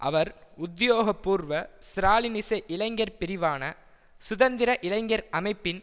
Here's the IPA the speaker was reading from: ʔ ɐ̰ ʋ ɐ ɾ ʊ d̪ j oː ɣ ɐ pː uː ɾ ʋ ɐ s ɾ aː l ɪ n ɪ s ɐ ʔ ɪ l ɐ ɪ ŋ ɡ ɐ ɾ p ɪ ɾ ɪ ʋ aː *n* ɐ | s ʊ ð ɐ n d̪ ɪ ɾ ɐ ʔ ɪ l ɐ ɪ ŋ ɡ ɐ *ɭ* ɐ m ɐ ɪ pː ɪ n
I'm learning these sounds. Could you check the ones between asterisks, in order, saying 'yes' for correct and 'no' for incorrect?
yes, no

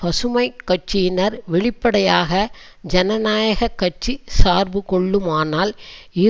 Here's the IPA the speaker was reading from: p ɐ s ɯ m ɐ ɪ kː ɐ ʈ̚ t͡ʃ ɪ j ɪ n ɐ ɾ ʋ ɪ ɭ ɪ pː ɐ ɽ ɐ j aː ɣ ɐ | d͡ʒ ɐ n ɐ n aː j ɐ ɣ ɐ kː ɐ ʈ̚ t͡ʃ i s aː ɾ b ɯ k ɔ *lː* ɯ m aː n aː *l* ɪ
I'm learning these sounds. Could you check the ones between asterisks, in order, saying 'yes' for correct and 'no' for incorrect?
no, yes

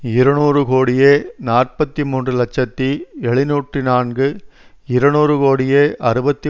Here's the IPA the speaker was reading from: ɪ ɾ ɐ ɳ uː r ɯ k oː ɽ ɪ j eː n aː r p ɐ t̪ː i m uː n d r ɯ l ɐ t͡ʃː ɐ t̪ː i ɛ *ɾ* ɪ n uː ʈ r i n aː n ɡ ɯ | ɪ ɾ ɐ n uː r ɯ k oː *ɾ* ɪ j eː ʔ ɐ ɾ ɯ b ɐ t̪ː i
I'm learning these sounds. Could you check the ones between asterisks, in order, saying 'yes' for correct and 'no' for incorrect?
no, no

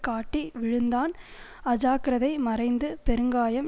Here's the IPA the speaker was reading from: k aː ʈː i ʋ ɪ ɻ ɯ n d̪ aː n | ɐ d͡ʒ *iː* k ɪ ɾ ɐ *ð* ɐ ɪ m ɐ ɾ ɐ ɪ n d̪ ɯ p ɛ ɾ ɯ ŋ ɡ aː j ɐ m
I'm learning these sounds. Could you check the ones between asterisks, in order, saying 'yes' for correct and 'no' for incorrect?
no, yes

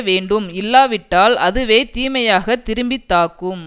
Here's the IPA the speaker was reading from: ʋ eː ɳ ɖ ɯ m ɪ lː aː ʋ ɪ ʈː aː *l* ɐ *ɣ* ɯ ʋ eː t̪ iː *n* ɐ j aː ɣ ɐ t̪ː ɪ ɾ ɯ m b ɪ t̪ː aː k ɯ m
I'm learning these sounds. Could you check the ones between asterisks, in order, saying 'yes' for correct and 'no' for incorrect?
yes, no, no

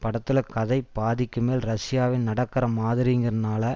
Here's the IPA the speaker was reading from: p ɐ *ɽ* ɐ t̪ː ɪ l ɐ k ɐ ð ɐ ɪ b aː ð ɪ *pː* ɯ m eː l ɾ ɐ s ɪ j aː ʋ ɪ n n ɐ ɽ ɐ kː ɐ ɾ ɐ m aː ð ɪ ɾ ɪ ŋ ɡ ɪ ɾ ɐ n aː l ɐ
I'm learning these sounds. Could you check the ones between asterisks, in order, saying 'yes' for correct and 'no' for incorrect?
yes, no

